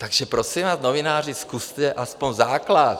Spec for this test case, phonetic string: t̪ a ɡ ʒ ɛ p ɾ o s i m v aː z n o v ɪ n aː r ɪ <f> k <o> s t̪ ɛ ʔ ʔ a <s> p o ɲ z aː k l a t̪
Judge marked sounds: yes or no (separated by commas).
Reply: no, no, yes